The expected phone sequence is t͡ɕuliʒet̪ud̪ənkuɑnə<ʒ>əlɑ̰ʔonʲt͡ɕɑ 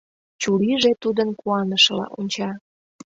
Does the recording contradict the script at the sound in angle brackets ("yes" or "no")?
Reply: yes